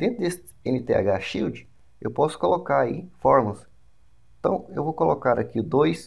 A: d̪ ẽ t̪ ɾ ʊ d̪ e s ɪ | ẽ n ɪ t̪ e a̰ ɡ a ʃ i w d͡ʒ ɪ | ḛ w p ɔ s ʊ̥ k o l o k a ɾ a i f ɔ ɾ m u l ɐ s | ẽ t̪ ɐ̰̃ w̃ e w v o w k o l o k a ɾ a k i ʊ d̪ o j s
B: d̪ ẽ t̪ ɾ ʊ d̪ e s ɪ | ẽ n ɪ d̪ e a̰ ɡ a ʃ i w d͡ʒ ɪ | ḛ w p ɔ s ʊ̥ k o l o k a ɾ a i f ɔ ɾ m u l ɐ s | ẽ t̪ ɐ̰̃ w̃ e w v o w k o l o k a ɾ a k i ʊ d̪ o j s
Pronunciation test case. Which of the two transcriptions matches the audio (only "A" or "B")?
A